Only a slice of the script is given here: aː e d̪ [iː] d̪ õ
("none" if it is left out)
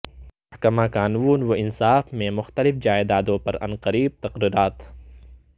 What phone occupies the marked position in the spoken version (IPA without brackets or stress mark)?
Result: aː